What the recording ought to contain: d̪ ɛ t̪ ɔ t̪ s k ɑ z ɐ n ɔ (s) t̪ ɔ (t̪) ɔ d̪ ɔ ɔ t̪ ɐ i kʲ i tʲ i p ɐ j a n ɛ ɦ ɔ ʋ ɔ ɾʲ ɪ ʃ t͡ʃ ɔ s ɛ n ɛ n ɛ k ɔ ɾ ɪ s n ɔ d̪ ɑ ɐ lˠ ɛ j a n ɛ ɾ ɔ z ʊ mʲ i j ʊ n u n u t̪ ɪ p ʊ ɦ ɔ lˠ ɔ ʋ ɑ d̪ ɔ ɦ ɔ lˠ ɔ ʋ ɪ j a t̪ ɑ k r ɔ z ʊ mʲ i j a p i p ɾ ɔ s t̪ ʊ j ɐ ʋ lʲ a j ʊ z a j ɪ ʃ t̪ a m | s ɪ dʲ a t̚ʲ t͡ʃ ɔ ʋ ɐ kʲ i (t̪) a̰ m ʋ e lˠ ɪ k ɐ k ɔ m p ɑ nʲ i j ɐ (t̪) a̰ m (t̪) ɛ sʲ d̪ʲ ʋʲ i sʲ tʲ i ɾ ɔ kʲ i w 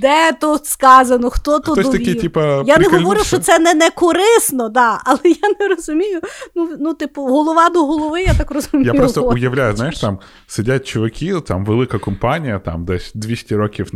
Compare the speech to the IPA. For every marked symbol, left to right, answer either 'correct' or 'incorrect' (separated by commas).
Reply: incorrect, correct, correct, correct, incorrect